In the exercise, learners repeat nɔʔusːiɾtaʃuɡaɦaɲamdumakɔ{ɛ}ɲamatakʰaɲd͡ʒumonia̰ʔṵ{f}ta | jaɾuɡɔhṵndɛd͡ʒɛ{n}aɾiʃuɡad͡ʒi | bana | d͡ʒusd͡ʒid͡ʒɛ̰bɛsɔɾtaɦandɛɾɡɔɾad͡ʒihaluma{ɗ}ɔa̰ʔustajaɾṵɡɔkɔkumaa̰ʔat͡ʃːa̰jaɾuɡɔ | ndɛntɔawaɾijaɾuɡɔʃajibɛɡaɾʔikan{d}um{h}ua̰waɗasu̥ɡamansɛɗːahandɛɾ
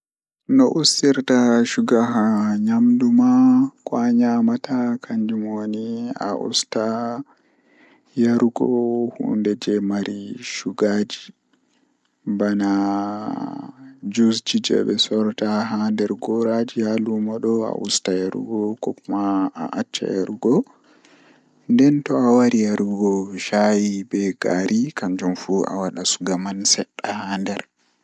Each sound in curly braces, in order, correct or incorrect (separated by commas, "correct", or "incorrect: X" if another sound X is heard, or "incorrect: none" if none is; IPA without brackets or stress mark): incorrect: a, incorrect: s, incorrect: m, correct, incorrect: d͡ʒ, incorrect: f